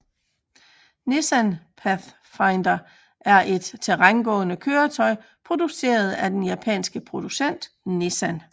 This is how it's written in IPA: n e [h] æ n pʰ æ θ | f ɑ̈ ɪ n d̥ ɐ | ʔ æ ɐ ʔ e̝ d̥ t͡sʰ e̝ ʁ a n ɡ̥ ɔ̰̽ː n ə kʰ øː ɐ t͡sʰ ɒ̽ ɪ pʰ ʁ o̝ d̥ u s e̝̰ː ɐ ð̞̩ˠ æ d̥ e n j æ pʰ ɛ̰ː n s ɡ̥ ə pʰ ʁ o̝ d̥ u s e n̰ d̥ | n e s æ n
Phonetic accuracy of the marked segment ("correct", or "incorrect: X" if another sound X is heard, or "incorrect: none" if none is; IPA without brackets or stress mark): incorrect: s